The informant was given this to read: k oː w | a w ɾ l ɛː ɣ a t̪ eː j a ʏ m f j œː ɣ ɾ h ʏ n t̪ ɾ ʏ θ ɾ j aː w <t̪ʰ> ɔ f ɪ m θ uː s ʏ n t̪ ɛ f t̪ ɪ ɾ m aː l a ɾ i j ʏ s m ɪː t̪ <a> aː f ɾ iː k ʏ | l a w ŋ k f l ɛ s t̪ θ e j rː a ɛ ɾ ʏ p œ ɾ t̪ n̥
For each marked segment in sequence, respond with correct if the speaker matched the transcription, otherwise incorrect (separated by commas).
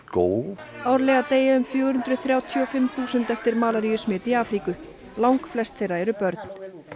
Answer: correct, incorrect